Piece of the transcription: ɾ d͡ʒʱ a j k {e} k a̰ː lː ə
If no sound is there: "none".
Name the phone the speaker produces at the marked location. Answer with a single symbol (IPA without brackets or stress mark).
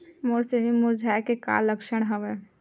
e